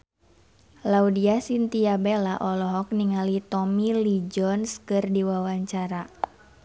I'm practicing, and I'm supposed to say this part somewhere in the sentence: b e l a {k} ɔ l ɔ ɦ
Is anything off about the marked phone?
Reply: yes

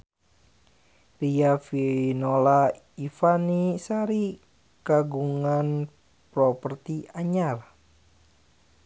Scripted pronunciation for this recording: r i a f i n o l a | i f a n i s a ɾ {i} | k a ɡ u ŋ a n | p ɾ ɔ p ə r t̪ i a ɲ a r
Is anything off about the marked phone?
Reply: no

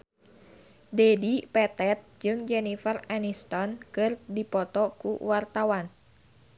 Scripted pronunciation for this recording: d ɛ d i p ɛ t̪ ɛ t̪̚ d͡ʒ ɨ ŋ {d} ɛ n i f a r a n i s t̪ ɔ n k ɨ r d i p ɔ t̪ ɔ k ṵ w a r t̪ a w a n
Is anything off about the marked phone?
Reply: yes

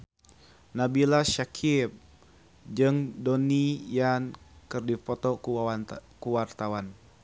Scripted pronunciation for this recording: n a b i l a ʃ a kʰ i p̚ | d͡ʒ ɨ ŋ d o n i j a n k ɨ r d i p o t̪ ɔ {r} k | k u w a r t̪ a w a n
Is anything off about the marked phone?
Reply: yes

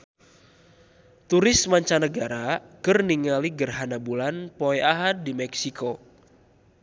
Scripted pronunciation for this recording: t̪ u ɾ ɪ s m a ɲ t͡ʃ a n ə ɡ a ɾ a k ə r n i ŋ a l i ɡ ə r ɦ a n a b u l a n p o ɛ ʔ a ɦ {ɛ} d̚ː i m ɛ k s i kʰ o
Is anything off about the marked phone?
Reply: yes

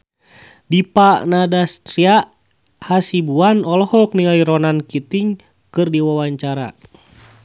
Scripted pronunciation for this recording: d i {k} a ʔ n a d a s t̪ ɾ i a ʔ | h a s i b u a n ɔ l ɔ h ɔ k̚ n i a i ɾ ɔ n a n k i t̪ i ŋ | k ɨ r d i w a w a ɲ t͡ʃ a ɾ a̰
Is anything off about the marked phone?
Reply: yes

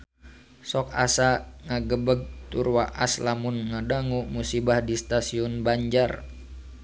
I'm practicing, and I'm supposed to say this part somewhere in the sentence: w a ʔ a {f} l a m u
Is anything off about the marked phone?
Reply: yes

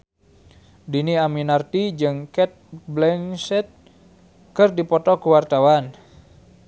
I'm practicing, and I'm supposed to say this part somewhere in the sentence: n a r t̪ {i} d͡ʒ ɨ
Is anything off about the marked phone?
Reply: no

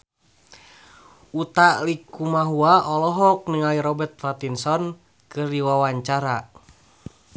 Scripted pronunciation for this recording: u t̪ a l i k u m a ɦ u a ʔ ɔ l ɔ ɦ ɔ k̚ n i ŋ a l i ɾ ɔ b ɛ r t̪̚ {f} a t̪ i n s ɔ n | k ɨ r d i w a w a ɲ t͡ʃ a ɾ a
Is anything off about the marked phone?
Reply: no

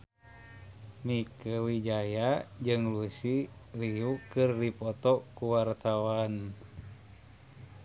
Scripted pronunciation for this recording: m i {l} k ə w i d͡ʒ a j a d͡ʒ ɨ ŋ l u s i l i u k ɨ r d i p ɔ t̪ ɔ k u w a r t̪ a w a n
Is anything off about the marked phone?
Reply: yes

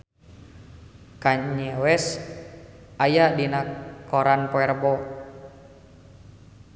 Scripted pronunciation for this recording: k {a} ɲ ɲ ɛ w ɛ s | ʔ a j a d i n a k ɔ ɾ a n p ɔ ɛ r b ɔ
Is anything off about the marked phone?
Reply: no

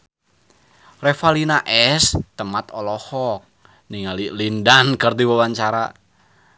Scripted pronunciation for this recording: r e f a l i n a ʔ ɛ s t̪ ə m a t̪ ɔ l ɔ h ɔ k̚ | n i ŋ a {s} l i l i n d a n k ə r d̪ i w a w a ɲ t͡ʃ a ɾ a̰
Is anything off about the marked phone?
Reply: yes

